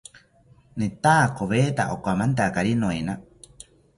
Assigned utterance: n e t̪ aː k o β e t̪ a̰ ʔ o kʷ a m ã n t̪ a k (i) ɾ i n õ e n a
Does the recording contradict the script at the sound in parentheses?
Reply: yes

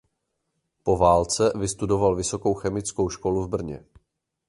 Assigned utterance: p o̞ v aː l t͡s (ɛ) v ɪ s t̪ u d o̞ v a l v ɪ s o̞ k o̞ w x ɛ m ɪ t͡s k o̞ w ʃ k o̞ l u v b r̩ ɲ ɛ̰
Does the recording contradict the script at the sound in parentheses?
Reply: no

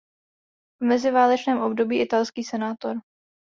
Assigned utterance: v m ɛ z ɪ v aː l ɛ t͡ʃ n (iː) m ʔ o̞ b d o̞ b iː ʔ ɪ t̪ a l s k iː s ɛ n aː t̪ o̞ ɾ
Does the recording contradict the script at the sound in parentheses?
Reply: yes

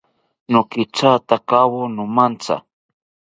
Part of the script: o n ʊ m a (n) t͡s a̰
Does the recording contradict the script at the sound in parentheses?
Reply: no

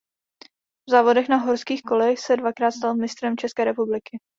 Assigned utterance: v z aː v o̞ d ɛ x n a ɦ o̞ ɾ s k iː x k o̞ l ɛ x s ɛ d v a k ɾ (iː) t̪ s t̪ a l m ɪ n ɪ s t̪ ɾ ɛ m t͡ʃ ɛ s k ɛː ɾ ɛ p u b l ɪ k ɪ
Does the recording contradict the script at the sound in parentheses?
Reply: yes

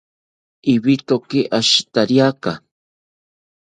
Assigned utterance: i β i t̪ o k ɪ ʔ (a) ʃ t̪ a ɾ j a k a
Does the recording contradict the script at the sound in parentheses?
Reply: no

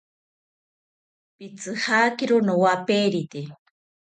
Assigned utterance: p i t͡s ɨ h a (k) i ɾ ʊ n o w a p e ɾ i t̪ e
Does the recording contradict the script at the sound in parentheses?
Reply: no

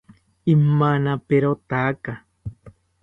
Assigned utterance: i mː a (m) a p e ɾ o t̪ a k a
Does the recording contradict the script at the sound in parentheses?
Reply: yes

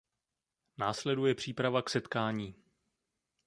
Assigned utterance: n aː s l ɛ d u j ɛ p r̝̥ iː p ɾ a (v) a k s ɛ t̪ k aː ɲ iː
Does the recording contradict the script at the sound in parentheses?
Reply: no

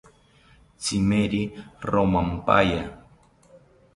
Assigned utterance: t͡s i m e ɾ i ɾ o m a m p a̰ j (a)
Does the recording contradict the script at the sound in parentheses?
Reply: no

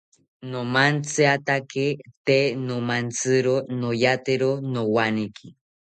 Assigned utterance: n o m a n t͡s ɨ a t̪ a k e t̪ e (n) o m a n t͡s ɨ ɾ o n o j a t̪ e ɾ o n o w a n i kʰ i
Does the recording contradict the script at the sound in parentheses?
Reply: no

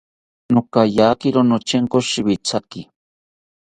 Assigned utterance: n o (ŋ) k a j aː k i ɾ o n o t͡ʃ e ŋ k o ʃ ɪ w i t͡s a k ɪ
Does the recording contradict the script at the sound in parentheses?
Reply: yes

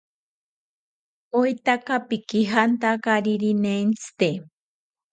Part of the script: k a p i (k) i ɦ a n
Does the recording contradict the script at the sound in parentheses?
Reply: no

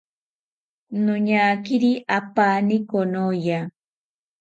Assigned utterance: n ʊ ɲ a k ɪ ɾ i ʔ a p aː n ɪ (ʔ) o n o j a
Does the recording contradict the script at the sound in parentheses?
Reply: yes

